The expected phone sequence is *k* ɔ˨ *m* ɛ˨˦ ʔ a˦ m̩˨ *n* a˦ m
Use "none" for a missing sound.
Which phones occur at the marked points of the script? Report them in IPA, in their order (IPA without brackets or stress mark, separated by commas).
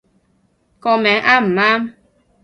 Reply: k, m, m